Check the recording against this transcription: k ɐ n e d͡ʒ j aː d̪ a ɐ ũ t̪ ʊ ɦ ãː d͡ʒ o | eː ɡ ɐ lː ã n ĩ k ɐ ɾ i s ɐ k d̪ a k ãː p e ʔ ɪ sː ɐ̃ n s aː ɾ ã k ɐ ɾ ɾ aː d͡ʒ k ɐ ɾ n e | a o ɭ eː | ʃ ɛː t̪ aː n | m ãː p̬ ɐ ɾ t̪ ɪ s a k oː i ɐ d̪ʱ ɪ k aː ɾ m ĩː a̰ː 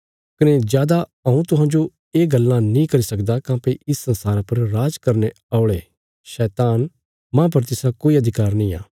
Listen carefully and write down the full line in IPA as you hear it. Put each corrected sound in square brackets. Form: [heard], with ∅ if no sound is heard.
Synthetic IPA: k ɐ n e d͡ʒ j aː d̪ a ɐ ũ t̪ ʊ ɦ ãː d͡ʒ o | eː ɡ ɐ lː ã n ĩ k ɐ ɾ i s ɐ k d̪ a k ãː p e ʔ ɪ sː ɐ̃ n s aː ɾ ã [p] ɐ ɾ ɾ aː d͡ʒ k ɐ ɾ n e | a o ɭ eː | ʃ ɛː t̪ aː n | m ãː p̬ ɐ ɾ t̪ ɪ s a k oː i ɐ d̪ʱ ɪ k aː ɾ [n] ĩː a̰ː

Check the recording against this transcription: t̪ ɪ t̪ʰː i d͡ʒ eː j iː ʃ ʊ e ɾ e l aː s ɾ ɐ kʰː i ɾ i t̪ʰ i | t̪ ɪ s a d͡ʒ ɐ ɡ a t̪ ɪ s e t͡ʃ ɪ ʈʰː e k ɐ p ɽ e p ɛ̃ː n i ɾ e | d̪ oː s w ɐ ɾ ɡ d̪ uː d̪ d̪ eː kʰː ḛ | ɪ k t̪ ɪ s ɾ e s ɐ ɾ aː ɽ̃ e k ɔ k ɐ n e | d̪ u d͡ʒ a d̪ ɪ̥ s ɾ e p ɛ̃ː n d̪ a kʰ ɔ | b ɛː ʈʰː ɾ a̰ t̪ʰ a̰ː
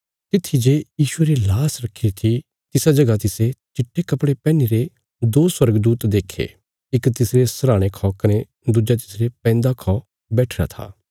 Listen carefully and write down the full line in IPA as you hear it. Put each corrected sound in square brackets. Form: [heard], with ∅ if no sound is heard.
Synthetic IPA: t̪ ɪ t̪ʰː i d͡ʒ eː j iː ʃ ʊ e ɾ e l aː s ɾ ɐ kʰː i ɾ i t̪ʰ i | t̪ ɪ s a d͡ʒ ɐ ɡ a t̪ ɪ s e t͡ʃ ɪ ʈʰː e k ɐ p ɽ e p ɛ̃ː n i ɾ e | d̪ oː s w ɐ ɾ ɡ d̪ uː [t̪] d̪ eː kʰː ḛ | ɪ k t̪ ɪ s ɾ e s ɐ ɾ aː ɽ̃ e [kʰ] ɔ k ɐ n e | d̪ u d͡ʒ a [t̪] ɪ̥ s ɾ e p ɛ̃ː n d̪ a kʰ ɔ | b ɛː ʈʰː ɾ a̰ t̪ʰ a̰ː

